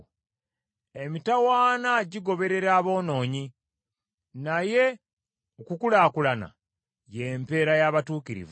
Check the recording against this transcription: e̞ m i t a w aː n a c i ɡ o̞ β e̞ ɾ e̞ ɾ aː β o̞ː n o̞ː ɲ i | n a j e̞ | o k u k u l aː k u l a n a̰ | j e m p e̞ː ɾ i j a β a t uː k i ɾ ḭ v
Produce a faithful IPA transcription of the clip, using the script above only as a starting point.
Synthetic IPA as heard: e̞ m i t a w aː n a ɟ i ɡ o̞ β e̞ ɾ e̞ ɾ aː β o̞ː n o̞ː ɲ i | n a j e̞ | o k u k u l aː k u l a n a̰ | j e m p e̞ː ɾ a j a β a t uː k i ɾ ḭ v